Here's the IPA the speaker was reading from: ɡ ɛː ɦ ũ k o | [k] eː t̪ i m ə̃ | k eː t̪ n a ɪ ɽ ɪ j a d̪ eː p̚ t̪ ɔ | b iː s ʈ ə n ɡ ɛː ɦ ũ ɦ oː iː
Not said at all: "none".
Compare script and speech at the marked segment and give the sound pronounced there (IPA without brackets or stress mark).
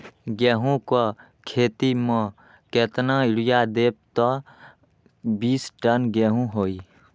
kʰ